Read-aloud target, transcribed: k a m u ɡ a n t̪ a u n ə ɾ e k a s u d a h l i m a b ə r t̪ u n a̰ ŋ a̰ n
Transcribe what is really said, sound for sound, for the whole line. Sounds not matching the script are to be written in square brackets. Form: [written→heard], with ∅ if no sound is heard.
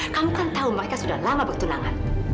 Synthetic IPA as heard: k a m u [ɡ→k] a n t̪ a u [n→m] ə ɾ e k a s u d a h l [i→a] m a b ə r t̪ u n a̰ ŋ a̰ n

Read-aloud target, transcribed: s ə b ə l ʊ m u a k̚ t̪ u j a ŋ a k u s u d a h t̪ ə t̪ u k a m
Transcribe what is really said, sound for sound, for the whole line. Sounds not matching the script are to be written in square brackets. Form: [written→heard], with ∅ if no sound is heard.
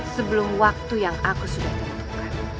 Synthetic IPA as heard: s ə b ə l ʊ m [u→w] a k̚ t̪ u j a ŋ a k u s u d a h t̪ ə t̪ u k a [m→n]

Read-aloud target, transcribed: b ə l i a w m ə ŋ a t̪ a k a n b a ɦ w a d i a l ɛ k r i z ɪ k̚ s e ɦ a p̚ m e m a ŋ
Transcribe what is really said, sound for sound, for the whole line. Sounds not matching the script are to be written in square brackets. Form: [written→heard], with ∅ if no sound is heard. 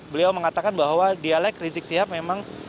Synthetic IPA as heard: b ə l i a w m ə ŋ a t̪ a k a n b a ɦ w a d i a l ɛ k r i z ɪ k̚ s [e→i] ɦ a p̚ m e m a ŋ

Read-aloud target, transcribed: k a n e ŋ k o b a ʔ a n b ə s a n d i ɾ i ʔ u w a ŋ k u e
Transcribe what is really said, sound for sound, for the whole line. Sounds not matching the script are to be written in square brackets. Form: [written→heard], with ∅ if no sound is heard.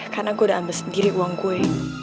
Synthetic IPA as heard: k a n [e→a] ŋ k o [b→d] a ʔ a n b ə s [a→ə] n d i ɾ i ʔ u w a ŋ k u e

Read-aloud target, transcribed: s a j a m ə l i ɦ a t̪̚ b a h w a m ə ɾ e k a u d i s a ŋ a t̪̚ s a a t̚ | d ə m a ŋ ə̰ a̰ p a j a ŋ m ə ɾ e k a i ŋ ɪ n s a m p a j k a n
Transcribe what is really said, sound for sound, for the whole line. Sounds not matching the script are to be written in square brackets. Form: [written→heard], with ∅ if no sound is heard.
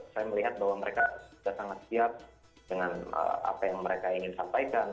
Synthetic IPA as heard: s a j a m ə l i ɦ a t̪̚ b a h w a m ə ɾ e k a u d [i→a] s a ŋ a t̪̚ s [a→i] a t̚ | d ə [m→ŋ] a [ŋ→n] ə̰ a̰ p a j a ŋ m ə ɾ e k a i ŋ ɪ n s a m p a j k a n

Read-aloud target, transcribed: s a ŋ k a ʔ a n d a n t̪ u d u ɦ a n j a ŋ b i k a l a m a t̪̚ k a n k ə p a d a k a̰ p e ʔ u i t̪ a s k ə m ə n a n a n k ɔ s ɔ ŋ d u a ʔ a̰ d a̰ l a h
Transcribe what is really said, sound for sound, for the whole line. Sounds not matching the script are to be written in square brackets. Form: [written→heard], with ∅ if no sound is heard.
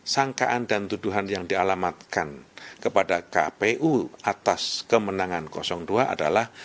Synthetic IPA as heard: s a ŋ k a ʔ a n d a n t̪ u d u ɦ a n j a ŋ [b→d] i [k→∅] a l a m a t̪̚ k a n k ə p a d a k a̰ p e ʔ u [i→a] t̪ a s k ə m ə n a [n→ŋ] a n k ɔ s ɔ ŋ d u a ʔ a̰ d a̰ l a h

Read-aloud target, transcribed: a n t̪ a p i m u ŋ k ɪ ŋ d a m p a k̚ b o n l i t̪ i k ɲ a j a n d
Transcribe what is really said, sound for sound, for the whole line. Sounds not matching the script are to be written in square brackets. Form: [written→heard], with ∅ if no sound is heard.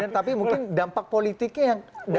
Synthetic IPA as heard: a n t̪ a p i m u ŋ k ɪ [ŋ→n] d a m p a k̚ [b→p] o [n→∅] l i t̪ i k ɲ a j a [n→ŋ] d

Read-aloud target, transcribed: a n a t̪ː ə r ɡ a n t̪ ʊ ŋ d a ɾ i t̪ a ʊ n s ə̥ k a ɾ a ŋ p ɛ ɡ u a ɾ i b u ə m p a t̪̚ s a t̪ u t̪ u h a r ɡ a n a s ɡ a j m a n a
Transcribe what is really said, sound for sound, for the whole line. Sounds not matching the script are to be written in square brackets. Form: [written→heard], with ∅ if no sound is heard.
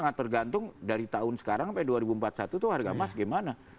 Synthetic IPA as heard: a [n→ŋ] a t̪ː ə r ɡ a n t̪ ʊ ŋ d a ɾ i t̪ a ʊ n s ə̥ k a ɾ a ŋ p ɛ [ɡ→d] u a ɾ i b u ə m p a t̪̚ s a t̪ u t̪ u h a r ɡ a [n→m] a s ɡ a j m a n a

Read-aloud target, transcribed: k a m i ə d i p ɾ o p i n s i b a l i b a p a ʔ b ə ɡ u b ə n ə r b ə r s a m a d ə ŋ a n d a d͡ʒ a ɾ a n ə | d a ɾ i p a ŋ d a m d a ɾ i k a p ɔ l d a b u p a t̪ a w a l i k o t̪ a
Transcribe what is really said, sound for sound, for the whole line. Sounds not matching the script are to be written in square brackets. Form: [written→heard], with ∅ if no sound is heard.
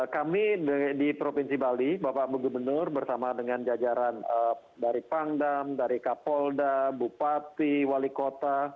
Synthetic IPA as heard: k a m i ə d i p ɾ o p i n s i b a l i b a p a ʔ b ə ɡ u b ə n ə r b ə r s a m a d ə ŋ a n [d→d͡ʒ] a d͡ʒ a ɾ a n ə | d a ɾ i p a ŋ d a m d a ɾ i k a p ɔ l d a b u p a t̪ [a→i] w a l i k o t̪ a

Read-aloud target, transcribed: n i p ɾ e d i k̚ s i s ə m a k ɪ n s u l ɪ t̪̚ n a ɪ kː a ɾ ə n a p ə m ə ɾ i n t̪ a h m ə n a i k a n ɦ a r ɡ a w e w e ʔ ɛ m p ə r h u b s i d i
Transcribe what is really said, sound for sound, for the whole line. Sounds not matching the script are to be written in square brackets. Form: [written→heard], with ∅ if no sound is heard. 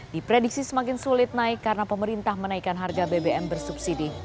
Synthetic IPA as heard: [n→d] i p ɾ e d i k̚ s i s ə m a k ɪ n s u l ɪ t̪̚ n a ɪ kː a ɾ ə n a p ə m ə ɾ i n t̪ a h m ə n a i k a n ɦ a r ɡ a [w→b] e [w→b] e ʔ ɛ m [p→b] ə r [h→s] u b s i d i

